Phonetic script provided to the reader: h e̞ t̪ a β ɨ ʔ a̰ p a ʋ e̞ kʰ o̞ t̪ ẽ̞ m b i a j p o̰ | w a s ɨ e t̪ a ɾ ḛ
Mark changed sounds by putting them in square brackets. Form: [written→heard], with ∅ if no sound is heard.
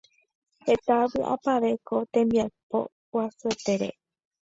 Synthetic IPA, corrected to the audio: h e̞ t̪ a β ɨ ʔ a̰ p a ʋ e̞ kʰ o̞ t̪ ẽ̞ m b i a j p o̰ | w a s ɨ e t̪ [a→e] ɾ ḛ